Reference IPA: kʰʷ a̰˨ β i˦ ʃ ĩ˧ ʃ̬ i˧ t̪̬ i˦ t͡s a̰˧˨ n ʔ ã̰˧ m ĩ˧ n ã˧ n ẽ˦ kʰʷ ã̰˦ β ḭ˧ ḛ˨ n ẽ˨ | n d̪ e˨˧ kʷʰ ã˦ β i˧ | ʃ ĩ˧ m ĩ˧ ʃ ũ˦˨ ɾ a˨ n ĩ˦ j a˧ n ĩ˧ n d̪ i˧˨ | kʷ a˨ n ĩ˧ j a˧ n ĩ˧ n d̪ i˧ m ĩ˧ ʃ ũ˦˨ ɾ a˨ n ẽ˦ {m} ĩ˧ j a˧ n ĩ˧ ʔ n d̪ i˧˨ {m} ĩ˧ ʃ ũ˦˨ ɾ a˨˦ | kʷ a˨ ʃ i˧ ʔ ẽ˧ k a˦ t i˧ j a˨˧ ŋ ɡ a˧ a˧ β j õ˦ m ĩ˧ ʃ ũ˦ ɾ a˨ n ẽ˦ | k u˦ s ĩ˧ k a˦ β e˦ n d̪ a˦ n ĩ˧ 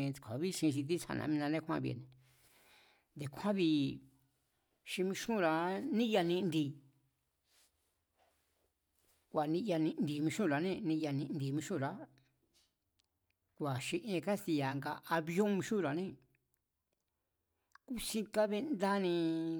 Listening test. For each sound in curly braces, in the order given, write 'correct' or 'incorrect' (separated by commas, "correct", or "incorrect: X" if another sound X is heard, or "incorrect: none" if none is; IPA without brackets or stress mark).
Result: incorrect: n, correct